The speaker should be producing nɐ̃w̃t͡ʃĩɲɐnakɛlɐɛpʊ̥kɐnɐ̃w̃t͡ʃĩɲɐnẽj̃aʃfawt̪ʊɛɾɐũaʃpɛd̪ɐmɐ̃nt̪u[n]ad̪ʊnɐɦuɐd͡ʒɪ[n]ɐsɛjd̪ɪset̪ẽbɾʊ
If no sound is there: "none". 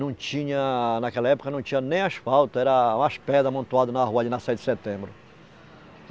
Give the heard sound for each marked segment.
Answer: none, n

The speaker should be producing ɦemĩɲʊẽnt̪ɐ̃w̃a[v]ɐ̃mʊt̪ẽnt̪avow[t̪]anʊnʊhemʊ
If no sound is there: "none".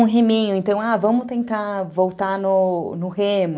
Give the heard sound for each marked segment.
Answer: v, t̪

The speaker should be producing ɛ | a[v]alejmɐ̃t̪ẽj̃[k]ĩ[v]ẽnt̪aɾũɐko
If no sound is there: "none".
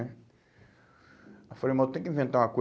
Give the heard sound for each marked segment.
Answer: f, k, v

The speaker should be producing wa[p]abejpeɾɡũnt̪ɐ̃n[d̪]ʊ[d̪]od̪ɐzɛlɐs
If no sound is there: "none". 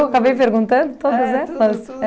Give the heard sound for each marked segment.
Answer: k, d̪, t̪

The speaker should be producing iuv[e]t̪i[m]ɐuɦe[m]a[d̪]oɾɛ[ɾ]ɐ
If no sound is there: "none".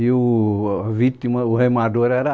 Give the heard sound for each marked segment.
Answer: i, m, m, d̪, ɾ

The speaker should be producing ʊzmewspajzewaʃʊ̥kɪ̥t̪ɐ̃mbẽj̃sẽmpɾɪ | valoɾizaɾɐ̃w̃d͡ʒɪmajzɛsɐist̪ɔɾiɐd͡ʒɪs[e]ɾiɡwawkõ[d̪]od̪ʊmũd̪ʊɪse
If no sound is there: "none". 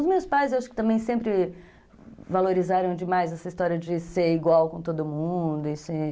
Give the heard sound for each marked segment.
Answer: e, t̪

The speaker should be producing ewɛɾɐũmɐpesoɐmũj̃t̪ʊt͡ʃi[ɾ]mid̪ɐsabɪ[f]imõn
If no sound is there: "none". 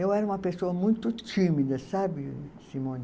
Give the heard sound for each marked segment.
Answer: none, s

